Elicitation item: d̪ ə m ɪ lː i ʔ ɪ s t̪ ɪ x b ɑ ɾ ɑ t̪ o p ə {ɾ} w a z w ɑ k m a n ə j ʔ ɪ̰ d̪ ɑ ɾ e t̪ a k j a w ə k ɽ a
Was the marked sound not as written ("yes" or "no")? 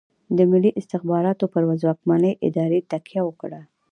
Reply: no